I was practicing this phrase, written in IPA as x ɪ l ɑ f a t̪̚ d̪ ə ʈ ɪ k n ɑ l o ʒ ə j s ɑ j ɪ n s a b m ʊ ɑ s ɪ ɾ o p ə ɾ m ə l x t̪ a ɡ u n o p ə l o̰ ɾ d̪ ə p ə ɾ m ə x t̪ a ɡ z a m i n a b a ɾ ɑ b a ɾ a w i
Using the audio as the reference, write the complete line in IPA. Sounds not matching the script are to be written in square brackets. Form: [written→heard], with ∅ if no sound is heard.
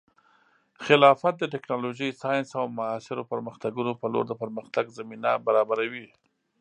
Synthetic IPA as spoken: x ɪ l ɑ f a t̪̚ d̪ ə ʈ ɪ k n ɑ l o ʒ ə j s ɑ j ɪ n s a [b→w] m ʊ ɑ s ɪ ɾ o p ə ɾ m ə [l→∅] x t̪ a ɡ u n o p ə l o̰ ɾ d̪ ə p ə ɾ m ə x t̪ a ɡ z a m i n a b a ɾ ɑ b a ɾ a w i